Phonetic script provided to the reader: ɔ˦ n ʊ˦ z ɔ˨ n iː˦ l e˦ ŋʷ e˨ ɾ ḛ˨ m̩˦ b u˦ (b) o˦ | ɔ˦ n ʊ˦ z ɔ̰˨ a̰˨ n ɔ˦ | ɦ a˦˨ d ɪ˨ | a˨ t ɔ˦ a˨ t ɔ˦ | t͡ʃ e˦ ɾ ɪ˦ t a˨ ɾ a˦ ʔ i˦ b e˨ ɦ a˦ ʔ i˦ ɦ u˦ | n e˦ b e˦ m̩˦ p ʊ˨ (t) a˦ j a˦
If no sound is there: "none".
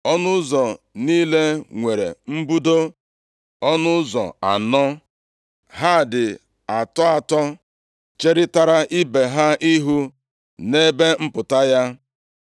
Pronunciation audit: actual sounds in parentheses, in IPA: d, t

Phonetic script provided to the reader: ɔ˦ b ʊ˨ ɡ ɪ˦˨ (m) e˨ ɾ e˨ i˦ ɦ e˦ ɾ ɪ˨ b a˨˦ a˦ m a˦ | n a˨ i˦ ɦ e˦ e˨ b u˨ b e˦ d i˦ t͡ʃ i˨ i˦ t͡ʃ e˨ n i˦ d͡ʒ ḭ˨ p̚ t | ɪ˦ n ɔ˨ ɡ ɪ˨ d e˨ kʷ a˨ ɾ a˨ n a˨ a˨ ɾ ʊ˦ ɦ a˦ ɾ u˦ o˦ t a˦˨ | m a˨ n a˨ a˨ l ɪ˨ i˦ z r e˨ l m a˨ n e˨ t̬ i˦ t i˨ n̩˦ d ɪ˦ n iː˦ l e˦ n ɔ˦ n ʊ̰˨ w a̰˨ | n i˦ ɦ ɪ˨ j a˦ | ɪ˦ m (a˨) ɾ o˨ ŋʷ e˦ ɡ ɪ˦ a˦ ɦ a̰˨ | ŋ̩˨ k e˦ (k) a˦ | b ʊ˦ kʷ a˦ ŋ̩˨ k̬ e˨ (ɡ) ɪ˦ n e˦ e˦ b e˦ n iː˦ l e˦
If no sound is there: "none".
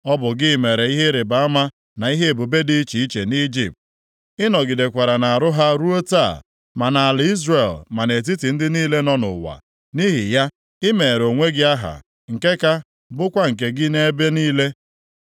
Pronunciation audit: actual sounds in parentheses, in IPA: m, e˨, k, ɡ

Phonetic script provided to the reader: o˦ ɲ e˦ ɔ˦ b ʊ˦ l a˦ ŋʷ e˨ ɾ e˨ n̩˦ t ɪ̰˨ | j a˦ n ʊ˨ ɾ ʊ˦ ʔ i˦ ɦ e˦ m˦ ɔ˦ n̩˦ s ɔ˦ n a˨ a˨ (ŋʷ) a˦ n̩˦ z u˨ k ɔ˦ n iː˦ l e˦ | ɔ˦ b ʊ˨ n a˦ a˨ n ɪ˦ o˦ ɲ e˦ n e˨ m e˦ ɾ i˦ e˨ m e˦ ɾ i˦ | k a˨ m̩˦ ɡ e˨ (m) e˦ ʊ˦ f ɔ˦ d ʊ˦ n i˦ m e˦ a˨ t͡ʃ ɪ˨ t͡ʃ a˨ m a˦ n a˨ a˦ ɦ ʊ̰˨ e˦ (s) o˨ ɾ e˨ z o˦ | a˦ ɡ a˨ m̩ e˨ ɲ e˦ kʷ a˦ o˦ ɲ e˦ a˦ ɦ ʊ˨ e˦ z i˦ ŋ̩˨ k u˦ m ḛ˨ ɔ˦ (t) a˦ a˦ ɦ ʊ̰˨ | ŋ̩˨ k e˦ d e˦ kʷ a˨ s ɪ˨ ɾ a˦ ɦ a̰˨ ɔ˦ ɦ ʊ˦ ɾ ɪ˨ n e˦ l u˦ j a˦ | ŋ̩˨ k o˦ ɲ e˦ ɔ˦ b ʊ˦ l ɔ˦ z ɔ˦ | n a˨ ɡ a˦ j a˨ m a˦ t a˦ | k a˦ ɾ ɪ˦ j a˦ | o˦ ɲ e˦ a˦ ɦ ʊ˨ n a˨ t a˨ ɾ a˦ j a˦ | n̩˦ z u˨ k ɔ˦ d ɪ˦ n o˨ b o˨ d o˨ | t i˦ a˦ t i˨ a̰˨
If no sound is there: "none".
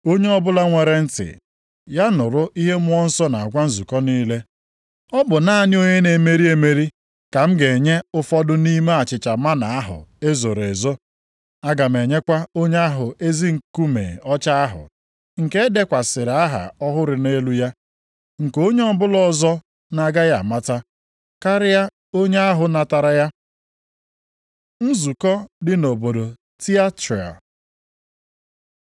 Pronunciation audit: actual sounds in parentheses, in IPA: ɡʷ, ɲ, z, t͡ʃ

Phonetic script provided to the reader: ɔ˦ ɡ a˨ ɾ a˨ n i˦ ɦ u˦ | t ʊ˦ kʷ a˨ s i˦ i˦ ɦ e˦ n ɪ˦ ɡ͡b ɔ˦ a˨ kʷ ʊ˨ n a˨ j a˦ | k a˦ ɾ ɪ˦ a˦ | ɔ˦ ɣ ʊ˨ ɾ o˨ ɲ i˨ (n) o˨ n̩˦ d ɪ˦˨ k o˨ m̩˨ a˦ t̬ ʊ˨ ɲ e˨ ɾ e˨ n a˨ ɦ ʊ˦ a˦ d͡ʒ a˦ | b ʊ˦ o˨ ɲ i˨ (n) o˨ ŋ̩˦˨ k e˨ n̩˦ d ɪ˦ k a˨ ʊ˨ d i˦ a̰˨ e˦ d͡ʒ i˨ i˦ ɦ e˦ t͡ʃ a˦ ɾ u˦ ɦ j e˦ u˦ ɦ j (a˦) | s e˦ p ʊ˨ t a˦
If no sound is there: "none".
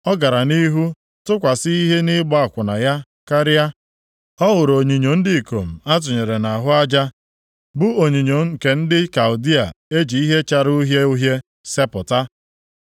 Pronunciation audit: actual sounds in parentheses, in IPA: ɲ, ɲ, e˦

